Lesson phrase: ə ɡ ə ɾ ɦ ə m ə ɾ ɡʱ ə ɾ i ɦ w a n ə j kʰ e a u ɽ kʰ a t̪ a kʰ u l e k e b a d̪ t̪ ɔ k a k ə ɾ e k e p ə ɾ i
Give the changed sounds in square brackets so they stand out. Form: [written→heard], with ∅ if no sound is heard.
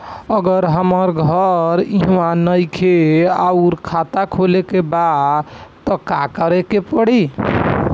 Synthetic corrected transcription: ə ɡ ə ɾ ɦ ə m ə ɾ ɡʱ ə ɾ i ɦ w a n ə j kʰ e a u [ɽ→ɾ] kʰ a t̪ a kʰ [u→o] l e k e b a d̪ t̪ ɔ k a k ə ɾ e k e p ə [ɾ→ɽ] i